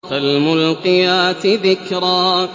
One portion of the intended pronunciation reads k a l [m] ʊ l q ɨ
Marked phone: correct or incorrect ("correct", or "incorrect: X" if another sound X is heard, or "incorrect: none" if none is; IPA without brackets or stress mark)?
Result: correct